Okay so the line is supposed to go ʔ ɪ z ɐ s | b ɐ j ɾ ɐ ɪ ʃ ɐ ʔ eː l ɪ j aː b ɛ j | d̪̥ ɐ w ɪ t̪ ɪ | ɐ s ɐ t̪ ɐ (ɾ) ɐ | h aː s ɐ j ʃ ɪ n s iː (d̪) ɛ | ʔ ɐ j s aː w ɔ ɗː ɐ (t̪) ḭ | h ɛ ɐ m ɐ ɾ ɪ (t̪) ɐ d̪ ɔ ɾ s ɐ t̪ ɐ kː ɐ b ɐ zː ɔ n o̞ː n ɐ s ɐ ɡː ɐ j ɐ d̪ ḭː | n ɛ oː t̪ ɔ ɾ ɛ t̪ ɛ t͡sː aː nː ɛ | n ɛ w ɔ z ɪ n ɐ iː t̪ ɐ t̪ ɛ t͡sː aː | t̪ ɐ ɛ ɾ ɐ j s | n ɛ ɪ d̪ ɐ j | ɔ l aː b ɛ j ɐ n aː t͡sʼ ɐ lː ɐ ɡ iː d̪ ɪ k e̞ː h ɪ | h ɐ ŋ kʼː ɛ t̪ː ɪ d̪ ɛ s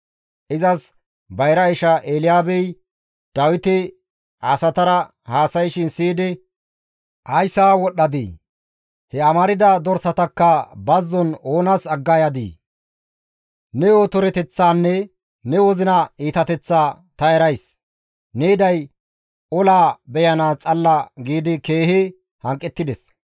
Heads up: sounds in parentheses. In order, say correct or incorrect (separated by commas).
correct, correct, incorrect, incorrect